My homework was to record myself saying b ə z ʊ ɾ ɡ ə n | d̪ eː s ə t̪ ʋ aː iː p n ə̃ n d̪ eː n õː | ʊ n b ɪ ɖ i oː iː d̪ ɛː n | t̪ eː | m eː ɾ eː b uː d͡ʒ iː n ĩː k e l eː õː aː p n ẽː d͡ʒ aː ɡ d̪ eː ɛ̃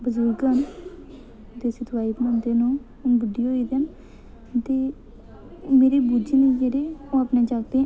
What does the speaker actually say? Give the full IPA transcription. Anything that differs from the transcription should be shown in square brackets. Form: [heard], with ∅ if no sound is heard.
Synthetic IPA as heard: b ə z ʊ ɾ ɡ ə n | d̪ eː s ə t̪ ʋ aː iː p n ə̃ n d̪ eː n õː | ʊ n b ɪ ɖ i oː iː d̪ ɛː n | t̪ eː | m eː ɾ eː b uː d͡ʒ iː n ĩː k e [ɾ] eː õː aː p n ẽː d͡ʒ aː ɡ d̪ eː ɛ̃

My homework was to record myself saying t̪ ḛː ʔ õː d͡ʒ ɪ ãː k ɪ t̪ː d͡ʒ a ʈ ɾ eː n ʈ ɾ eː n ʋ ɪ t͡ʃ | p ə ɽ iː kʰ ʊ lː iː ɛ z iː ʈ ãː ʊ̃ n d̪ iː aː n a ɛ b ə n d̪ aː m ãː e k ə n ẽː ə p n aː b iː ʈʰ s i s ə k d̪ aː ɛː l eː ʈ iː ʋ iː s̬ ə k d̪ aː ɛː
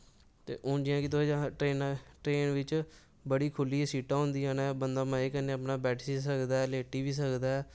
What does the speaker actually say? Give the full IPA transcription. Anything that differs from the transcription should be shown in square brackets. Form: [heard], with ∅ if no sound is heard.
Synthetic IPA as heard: t̪ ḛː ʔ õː d͡ʒ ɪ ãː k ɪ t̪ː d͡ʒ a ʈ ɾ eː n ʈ ɾ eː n ʋ ɪ t͡ʃ | [b] ə ɽ iː kʰ ʊ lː iː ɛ [s] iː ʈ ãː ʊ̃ n d̪ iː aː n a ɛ b ə n d̪ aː m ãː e k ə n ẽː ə p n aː b [ɛː] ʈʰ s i s ə k d̪ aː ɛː l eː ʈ iː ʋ iː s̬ ə k d̪ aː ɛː

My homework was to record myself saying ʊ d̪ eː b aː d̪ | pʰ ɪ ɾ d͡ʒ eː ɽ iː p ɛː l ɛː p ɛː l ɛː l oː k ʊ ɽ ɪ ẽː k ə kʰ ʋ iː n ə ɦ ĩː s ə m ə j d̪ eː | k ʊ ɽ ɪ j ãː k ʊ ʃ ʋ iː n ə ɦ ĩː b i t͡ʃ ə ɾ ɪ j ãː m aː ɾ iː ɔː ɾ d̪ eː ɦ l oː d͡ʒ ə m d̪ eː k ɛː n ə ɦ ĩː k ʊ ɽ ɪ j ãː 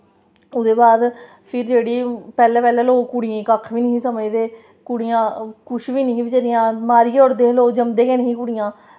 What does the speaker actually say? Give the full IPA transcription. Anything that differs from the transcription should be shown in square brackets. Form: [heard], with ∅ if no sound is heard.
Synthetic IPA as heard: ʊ d̪ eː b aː d̪ | pʰ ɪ ɾ d͡ʒ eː ɽ iː p ɛː l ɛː p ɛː l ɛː l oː k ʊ ɽ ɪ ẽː k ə kʰ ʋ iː n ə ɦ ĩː s ə m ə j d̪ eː | k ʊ ɽ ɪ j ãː k ʊ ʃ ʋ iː n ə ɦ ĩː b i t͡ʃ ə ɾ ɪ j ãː m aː ɾ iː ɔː ɾ d̪ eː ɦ l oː d͡ʒ ə m d̪ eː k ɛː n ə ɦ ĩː k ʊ ɽ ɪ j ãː

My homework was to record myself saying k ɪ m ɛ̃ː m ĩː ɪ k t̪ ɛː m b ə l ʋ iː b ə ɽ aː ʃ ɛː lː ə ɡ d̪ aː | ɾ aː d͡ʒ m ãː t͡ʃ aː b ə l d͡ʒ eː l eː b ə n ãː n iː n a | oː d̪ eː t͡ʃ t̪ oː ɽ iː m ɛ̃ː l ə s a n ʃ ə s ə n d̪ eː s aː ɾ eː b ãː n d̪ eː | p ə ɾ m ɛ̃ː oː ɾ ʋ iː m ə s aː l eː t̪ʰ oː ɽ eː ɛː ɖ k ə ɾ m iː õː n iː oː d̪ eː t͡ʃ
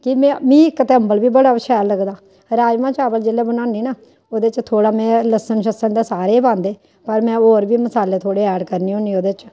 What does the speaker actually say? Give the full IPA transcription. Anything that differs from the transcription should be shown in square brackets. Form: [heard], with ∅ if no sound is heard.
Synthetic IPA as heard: k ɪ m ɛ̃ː m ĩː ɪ k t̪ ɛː m b ə l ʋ iː b ə ɽ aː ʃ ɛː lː ə ɡ d̪ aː | ɾ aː d͡ʒ m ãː t͡ʃ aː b ə l d͡ʒ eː l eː b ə n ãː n iː n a | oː d̪ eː t͡ʃ [t̪ʰ] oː ɽ [aː] m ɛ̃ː l ə s [ə] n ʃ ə s ə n d̪ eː s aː ɾ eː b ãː n d̪ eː | p ə ɾ m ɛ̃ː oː ɾ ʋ iː m ə s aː l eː t̪ʰ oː ɽ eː ɛː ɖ k ə ɾ [n] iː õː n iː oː d̪ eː t͡ʃ

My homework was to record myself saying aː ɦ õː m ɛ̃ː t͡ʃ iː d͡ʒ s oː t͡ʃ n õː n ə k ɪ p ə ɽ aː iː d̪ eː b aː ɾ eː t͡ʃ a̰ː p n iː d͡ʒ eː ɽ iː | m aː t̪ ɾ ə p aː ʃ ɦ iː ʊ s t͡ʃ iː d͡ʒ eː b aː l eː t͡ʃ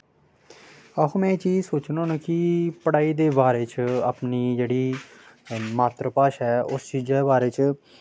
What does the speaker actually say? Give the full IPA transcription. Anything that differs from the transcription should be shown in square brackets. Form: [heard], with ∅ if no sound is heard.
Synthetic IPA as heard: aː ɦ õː m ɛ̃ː t͡ʃ iː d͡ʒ s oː t͡ʃ n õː n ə k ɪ p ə ɽ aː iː d̪ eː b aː ɾ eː t͡ʃ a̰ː p n iː d͡ʒ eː ɽ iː | m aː t̪ ɾ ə p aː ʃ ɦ [ɛː] ʊ s t͡ʃ iː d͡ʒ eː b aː [ɾ] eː t͡ʃ

